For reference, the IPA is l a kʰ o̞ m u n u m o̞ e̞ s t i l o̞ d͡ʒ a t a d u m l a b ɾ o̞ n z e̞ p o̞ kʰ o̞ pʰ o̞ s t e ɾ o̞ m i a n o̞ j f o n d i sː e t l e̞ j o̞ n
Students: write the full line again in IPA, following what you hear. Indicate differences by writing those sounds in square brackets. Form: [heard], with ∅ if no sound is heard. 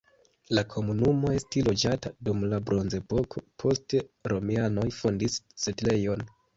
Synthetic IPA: l a kʰ o̞ m u n u m o̞ e̞ s t i l o̞ d͡ʒ a t a d u m l a b ɾ o̞ n z e̞ p o̞ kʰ o̞ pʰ o̞ s t e ɾ o̞ m i a n o̞ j f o n d i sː e t l e̞ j o̞ n